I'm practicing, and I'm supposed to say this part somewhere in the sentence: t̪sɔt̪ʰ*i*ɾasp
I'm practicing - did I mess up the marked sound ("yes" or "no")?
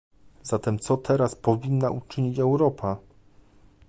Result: yes